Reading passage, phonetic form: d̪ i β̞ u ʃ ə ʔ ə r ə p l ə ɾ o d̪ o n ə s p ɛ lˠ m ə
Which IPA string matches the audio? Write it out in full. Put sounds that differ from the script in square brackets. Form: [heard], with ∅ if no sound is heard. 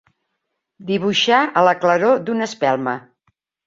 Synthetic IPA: d̪ i β̞ u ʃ [a] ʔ ə [l] ə [k] l ə ɾ o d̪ [u] n ə s p ɛ lˠ m ə